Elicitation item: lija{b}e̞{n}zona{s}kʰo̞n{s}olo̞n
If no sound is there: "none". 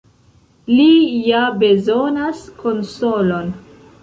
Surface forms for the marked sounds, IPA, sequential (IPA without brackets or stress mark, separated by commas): b, none, s, s